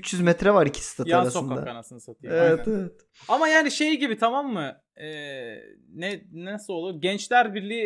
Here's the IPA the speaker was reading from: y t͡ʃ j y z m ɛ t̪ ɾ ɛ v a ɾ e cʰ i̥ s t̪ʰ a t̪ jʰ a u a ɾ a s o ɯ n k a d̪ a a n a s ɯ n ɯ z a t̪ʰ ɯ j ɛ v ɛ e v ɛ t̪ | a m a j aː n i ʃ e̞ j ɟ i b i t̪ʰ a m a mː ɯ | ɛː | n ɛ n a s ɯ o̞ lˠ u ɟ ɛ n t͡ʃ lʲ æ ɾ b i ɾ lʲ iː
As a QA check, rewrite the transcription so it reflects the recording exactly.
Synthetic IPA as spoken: y t͡ʃ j y z m ɛ t̪ ɾ ɛ v a ɾ i cʰ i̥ s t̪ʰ a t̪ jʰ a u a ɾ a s o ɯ n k a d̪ a a n a s ɯ n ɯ s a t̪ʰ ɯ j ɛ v ɛ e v ɛ t̪ | a m a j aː n i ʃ e̞ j ɟ i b i t̪ʰ a m a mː ɯ | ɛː | n ɛ n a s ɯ o̞ lˠ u ɟ ɛ n t͡ʃ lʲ æ ɾ b i ɾ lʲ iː